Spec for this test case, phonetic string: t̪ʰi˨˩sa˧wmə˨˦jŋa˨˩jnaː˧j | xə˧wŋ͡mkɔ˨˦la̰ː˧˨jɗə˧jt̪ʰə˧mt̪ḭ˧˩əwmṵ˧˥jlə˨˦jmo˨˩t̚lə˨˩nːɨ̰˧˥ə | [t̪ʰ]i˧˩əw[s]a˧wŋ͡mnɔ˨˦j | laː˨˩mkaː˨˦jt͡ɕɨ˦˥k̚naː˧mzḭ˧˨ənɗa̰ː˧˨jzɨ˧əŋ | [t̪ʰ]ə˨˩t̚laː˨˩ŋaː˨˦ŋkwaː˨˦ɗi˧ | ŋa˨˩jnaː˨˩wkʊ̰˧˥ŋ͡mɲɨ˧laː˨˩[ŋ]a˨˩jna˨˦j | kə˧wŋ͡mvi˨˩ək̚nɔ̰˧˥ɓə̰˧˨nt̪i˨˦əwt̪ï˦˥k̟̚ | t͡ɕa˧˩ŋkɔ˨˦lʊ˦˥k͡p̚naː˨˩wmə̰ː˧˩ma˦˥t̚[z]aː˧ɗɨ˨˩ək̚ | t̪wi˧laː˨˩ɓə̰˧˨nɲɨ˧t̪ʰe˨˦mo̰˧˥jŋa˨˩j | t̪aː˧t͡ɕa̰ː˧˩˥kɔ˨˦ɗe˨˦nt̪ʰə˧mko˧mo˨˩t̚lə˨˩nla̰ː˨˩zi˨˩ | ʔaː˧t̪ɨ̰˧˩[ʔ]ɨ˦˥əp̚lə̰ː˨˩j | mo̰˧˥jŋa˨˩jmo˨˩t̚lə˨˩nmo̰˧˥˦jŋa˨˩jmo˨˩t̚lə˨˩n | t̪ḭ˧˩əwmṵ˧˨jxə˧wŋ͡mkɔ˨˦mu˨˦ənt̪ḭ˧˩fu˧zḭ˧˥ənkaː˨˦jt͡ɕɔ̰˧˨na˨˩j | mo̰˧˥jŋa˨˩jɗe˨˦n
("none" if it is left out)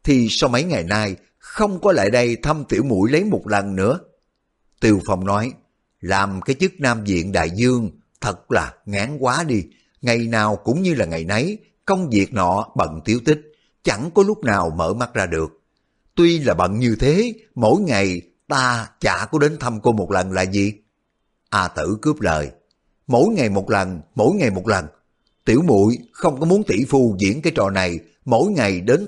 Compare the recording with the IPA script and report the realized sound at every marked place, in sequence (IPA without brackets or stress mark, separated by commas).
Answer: t̪, f, t̪ʰ, ŋ, z, k